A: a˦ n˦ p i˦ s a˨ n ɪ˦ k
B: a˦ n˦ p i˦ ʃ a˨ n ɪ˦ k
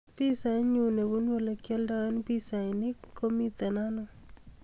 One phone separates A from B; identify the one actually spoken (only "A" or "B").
A